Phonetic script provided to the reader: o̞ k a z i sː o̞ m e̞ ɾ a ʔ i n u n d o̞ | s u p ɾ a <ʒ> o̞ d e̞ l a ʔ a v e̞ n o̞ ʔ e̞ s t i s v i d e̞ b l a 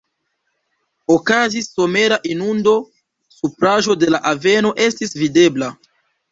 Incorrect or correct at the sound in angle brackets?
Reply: correct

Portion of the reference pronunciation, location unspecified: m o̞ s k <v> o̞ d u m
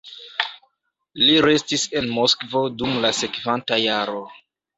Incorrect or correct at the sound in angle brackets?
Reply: correct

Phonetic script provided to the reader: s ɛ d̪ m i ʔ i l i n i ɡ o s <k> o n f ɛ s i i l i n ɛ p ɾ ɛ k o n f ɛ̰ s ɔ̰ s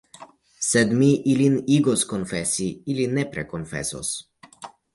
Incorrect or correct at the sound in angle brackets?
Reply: correct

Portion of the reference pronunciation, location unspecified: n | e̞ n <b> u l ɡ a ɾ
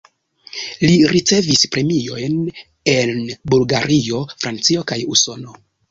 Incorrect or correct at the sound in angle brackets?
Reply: correct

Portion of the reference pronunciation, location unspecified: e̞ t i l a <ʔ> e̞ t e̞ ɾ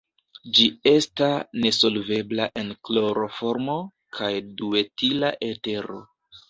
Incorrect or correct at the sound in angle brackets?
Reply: correct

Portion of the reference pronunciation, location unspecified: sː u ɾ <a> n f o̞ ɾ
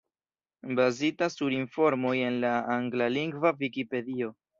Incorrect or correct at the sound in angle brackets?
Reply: incorrect: i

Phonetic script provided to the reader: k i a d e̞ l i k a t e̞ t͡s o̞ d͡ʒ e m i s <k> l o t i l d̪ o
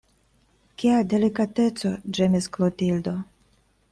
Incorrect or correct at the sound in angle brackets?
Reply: correct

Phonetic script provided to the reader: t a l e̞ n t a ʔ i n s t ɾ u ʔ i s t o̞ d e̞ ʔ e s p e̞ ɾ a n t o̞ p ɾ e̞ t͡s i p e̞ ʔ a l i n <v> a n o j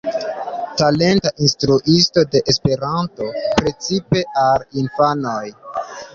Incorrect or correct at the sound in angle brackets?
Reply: incorrect: f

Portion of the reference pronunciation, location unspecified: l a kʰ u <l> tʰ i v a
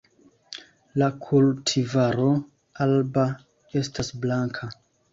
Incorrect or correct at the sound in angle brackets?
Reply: correct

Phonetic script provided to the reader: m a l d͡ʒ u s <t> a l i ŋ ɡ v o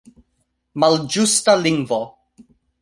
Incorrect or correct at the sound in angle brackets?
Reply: correct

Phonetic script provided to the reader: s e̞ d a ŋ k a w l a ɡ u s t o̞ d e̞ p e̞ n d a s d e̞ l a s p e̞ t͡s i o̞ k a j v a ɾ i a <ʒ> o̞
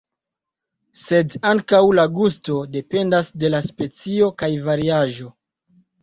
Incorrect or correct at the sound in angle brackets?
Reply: correct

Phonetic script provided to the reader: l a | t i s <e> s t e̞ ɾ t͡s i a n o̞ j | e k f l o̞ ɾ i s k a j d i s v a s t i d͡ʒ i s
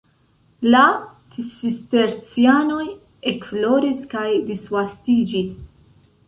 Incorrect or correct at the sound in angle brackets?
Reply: incorrect: i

